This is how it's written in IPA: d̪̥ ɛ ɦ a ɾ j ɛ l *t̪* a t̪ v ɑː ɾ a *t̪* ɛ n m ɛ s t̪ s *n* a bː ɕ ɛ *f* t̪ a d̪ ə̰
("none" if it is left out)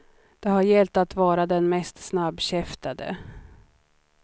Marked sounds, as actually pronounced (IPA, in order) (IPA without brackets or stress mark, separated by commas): t̪, d̪, n, f